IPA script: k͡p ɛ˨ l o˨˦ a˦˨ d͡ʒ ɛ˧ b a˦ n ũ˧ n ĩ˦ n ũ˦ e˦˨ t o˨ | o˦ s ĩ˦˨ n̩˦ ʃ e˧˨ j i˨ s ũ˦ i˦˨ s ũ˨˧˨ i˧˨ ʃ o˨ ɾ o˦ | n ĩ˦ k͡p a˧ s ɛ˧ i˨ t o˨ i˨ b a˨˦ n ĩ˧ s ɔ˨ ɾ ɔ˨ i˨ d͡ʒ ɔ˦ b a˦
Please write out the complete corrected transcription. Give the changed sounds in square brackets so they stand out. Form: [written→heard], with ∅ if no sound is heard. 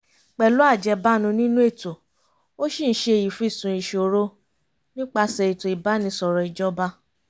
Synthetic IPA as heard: k͡p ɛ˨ l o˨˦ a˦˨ d͡ʒ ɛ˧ b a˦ n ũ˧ n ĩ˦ n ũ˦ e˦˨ t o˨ | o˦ [s→ʃ] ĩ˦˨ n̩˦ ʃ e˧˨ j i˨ [s→f] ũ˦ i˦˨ s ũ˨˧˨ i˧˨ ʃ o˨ ɾ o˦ | n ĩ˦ k͡p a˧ s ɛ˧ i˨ t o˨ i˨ b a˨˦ n ĩ˧ s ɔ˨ ɾ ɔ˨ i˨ d͡ʒ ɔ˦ b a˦

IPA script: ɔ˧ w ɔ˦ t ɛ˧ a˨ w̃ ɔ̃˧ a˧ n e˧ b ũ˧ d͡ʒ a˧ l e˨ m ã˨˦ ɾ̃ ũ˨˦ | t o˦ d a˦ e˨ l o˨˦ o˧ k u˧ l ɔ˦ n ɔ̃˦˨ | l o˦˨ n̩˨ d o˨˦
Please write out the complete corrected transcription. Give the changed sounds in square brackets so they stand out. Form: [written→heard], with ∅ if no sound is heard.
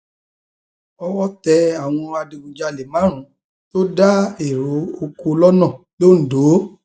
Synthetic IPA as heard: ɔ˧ w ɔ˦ t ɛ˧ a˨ w̃ ɔ̃˧ a˧ [n→d] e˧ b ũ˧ d͡ʒ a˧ l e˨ m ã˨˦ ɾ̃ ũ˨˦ | t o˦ d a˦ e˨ [l→ɾ] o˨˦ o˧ k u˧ l ɔ˦ n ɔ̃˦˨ | l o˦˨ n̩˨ d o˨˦

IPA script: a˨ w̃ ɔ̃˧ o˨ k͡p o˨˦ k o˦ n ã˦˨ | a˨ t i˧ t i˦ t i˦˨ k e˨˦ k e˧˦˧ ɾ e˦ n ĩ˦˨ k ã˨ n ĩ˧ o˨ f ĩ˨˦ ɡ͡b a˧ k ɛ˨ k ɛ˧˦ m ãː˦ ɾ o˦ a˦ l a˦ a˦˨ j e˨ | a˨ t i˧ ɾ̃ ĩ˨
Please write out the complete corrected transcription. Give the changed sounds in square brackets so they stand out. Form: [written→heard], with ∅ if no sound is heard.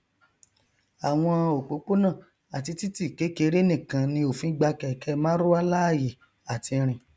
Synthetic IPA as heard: a˨ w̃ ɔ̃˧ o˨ k͡p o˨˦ [k→k͡p] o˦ n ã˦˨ | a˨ t i˧ t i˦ t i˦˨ k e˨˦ k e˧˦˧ ɾ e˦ n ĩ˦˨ k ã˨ n ĩ˧ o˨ f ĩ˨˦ ɡ͡b a˧ k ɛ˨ k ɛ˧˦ m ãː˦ ɾ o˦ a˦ l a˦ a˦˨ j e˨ | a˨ t i˧ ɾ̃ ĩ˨

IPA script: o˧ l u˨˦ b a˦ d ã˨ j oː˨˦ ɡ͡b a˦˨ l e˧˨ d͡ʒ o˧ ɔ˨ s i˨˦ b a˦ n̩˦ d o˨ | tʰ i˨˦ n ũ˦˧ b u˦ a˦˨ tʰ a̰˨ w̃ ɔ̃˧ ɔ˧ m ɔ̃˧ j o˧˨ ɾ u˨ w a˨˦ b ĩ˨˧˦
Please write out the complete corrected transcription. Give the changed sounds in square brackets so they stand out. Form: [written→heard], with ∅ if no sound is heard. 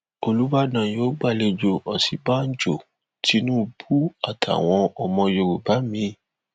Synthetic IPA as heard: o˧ l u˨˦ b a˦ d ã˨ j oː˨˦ ɡ͡b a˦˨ l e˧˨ d͡ʒ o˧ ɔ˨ s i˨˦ b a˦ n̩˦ [d→d͡ʒ] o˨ | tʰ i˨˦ n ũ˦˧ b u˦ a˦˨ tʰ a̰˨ w̃ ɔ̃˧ ɔ˧ m ɔ̃˧ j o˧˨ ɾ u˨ [w→b] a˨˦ [b→m] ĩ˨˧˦

